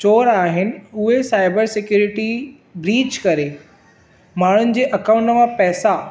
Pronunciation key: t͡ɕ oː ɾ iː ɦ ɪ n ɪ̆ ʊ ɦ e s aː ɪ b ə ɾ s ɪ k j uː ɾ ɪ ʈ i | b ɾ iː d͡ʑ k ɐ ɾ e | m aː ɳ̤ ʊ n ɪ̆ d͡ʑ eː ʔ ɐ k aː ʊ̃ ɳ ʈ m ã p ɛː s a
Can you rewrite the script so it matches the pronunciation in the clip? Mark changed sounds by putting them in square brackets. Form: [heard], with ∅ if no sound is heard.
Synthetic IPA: t͡ɕ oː ɾ [aː] ɦ ɪ n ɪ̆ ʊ ɦ e s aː ɪ b ə ɾ s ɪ k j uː ɾ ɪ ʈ i | b ɾ iː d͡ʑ k ɐ ɾ e | m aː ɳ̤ ʊ n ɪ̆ d͡ʑ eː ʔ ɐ k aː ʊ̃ ɳ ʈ m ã p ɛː s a